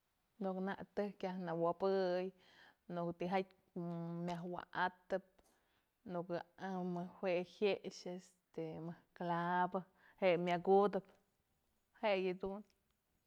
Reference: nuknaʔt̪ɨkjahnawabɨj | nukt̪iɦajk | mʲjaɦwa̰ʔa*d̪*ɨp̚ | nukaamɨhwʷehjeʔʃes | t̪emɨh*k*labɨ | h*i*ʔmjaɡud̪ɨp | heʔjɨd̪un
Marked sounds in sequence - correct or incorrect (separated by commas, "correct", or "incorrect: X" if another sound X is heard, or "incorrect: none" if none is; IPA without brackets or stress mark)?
incorrect: t̪, correct, incorrect: e